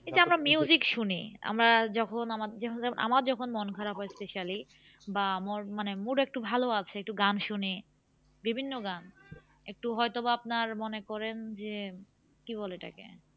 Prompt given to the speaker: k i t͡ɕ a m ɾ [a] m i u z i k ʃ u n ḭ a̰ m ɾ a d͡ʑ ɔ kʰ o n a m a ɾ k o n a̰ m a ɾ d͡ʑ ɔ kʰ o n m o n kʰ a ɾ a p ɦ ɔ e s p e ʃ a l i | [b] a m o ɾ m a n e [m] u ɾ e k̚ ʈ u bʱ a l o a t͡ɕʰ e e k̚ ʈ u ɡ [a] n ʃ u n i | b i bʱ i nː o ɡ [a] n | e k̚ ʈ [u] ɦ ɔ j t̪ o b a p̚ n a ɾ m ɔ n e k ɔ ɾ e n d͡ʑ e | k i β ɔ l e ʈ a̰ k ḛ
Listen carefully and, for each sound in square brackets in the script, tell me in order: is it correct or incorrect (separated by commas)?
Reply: correct, correct, correct, correct, correct, correct